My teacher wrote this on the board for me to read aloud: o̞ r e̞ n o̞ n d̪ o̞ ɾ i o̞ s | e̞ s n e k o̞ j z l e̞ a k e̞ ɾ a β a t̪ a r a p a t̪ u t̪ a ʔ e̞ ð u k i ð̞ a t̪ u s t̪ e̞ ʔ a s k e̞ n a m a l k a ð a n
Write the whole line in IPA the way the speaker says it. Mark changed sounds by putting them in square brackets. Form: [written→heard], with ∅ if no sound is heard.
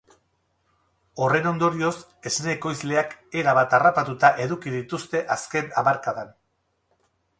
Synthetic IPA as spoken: o̞ r e̞ n o̞ n d̪ o̞ ɾ i o̞ s | e̞ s n e k o̞ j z l e̞ a k e̞ ɾ a β a t̪ a r a p a t̪ u t̪ a ʔ e̞ ð u k i ð̞ [a→i] t̪ u s t̪ e̞ ʔ a s k e̞ n a m a [l→ɾ] k a ð a n